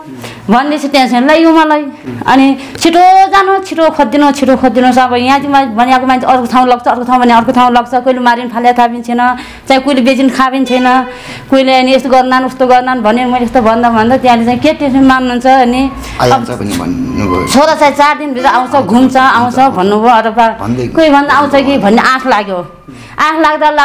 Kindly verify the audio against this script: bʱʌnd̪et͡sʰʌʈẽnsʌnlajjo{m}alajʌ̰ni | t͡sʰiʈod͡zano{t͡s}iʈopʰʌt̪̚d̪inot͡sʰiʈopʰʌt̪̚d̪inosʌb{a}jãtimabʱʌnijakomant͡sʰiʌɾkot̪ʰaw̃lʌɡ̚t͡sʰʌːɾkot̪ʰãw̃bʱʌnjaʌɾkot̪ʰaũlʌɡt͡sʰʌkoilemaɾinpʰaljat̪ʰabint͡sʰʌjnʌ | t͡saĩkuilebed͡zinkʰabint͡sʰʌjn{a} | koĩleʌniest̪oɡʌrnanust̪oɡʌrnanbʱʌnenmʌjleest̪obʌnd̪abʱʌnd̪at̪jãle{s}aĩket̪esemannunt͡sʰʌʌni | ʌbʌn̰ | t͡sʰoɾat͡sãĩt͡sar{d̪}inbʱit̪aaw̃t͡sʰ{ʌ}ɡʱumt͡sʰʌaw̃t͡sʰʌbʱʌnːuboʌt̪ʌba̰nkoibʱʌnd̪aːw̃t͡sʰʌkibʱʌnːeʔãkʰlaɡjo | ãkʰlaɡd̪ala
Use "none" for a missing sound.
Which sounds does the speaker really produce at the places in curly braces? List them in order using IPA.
m, t͡sʰ, ʌ, ʌ, t͡s, d̪, ʌ

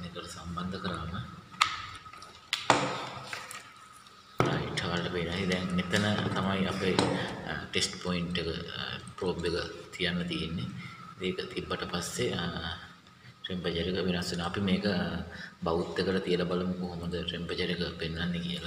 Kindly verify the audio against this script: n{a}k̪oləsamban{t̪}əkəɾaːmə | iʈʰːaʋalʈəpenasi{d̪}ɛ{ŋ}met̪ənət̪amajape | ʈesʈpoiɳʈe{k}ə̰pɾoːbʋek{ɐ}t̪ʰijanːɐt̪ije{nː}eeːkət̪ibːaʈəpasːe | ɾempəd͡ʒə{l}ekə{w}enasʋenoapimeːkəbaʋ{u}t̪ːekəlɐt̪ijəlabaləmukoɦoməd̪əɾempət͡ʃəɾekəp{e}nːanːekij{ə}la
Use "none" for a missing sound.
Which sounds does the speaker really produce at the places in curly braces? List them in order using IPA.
e, d̪, d̪, ŋ, k, ə, nː, ɾ, ʋ, u, e, ə

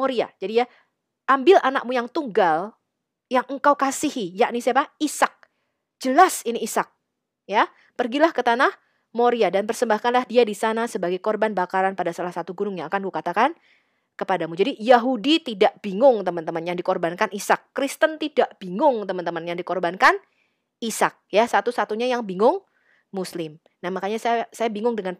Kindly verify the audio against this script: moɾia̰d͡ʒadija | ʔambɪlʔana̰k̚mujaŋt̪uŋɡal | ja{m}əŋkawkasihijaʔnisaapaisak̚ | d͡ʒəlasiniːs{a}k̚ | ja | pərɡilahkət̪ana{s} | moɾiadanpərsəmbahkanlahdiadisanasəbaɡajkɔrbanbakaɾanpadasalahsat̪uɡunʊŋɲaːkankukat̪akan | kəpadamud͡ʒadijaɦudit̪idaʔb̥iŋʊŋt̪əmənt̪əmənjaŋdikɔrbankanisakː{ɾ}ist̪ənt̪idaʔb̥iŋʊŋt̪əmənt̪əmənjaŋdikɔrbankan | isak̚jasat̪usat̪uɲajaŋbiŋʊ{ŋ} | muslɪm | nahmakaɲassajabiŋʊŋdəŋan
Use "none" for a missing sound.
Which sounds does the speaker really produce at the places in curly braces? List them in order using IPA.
ŋ, a, h, ɾ, ŋ

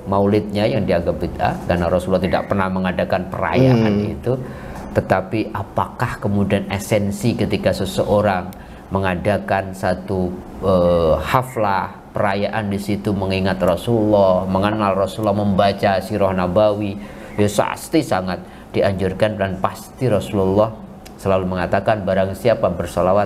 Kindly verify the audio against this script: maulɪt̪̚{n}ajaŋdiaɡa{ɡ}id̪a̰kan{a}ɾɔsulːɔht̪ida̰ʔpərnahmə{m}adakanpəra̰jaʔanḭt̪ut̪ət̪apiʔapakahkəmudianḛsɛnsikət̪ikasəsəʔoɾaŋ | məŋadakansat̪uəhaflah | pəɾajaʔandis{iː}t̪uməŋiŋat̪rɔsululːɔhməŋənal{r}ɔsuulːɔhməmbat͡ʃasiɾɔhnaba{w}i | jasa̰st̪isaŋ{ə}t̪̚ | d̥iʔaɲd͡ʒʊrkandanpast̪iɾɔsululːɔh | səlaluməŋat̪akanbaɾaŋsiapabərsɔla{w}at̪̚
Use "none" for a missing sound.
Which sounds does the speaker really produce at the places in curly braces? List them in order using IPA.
ɲ, b, a, ŋ, i, r, w, a, w

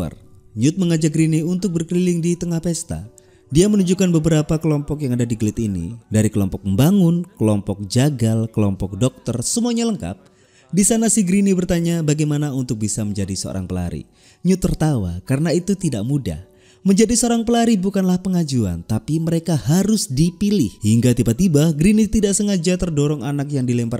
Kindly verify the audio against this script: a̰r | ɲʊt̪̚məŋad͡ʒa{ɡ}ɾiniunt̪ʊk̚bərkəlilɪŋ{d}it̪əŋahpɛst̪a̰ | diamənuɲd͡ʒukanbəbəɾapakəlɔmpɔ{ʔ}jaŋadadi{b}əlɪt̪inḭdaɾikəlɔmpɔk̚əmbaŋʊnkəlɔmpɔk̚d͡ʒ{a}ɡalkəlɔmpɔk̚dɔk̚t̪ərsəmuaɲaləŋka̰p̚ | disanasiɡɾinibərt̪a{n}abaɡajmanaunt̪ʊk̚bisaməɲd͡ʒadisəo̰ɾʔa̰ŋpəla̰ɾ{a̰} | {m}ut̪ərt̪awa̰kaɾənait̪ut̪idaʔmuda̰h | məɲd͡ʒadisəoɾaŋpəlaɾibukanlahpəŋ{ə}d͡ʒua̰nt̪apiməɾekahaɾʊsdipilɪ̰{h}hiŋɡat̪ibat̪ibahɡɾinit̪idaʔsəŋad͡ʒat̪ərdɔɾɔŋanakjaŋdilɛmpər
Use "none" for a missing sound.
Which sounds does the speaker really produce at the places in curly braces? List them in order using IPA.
ɡ, d, k, ɡ, a, ɲ, ḭ, ɲ, a, h

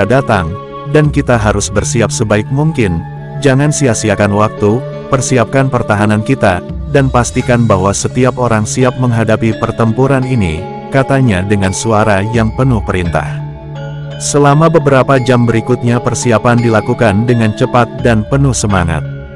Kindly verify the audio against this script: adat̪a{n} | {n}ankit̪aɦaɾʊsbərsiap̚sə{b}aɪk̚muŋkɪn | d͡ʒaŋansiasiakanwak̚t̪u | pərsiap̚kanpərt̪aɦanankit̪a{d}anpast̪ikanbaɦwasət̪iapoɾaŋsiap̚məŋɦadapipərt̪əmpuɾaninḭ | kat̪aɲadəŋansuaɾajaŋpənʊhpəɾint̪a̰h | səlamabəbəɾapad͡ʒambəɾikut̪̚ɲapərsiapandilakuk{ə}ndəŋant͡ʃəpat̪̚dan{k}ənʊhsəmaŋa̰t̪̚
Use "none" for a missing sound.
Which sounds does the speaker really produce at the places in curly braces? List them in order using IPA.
ŋ, d, b, d, a, p

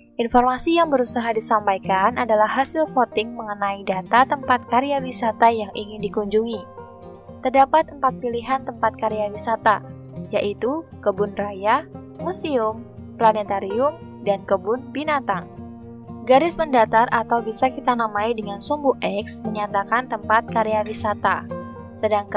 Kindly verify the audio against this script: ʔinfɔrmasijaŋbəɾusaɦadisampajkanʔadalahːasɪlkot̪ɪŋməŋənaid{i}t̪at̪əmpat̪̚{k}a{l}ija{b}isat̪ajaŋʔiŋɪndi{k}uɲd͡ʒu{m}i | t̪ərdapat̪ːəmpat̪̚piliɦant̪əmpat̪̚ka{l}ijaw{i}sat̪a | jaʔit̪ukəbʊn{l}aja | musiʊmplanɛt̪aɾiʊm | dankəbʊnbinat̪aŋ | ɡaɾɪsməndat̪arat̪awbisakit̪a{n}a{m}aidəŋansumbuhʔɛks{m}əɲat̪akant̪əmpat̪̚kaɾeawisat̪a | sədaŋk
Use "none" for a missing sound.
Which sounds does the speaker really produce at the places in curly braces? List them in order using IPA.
a, k, ɾ, w, k, ŋ, ɾ, i, r, n, m, m

